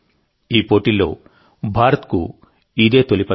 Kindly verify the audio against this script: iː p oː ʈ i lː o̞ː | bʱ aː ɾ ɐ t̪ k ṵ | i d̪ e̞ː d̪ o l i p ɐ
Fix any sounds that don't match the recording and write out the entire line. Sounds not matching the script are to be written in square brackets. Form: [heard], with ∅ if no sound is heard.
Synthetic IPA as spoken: iː p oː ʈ i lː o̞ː | bʱ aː ɾ ɐ t̪ k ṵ | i d̪ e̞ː [t̪] o l i p ɐ